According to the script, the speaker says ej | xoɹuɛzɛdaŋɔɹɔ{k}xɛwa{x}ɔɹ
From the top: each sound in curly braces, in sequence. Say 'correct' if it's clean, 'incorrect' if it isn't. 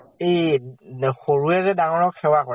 correct, incorrect: k

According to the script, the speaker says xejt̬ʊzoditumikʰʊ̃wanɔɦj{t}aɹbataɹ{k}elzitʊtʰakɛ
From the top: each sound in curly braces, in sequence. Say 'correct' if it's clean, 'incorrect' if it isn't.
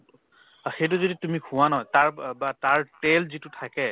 correct, incorrect: t

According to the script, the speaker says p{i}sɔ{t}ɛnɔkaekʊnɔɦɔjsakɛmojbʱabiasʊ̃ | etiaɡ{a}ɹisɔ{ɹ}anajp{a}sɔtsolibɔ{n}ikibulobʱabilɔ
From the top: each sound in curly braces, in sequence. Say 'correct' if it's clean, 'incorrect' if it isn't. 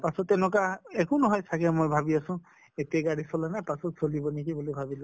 incorrect: a, correct, correct, incorrect: l, correct, correct

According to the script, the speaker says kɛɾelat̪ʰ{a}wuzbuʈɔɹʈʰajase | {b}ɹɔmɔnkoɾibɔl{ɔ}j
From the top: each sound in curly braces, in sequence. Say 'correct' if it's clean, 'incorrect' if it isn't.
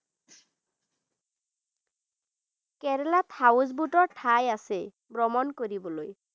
correct, correct, incorrect: o

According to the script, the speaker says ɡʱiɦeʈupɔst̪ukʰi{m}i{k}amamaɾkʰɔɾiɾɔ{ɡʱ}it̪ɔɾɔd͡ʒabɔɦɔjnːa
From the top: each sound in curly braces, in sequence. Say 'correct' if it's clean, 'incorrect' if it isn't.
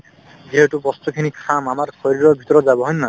incorrect: n, incorrect: kʰ, incorrect: bʱ

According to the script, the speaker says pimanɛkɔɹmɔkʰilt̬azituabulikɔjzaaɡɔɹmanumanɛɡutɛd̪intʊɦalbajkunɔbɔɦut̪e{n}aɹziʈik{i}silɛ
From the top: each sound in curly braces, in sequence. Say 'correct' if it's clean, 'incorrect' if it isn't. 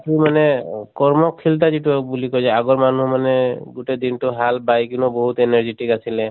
correct, incorrect: a

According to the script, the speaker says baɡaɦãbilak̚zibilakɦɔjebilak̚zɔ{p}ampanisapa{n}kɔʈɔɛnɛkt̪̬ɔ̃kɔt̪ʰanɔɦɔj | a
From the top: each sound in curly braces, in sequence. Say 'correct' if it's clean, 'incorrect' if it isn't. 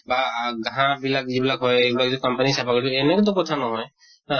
incorrect: k, incorrect: none

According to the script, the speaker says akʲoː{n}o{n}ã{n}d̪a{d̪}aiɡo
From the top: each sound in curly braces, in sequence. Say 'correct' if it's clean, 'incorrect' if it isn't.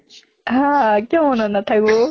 incorrect: m, correct, correct, incorrect: t̪

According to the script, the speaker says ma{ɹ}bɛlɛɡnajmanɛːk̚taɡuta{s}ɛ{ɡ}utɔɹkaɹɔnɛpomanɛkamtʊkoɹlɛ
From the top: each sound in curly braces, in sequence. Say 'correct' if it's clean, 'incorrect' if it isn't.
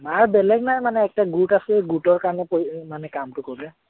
correct, correct, correct

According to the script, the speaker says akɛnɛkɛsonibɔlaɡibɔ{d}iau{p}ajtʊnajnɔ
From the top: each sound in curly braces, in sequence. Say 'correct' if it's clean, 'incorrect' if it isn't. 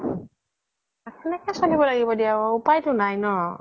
correct, correct

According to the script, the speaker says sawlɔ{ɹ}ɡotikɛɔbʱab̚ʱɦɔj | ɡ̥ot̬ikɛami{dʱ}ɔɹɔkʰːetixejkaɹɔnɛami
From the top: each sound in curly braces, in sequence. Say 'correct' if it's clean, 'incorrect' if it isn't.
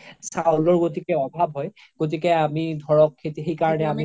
correct, correct

